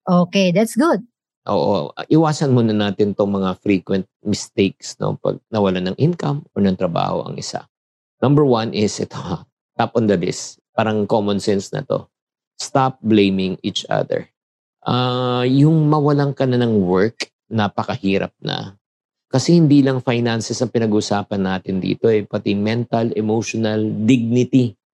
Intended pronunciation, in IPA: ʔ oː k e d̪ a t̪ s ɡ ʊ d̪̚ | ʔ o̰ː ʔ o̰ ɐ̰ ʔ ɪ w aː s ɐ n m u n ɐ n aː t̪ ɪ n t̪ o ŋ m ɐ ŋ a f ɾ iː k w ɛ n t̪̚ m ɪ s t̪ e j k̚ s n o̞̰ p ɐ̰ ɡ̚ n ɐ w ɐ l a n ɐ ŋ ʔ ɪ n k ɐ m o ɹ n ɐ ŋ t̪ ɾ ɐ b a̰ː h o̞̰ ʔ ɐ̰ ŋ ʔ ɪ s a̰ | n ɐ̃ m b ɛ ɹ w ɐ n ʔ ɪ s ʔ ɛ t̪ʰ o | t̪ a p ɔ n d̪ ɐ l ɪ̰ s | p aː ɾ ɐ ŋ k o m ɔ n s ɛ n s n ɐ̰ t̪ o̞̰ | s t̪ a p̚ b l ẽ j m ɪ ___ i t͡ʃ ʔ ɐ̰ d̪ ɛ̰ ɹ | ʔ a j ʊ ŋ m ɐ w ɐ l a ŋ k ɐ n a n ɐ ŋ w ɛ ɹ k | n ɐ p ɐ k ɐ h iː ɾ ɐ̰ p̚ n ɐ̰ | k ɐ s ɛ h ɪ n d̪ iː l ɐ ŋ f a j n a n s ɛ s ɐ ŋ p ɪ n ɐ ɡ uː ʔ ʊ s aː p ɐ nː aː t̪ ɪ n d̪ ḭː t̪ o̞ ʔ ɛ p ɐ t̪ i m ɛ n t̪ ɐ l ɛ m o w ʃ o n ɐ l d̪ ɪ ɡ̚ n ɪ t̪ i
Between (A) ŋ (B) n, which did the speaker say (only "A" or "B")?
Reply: A